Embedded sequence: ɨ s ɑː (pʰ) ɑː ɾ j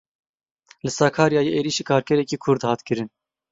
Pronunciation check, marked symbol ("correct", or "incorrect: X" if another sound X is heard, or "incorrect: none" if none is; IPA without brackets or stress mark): incorrect: kʰ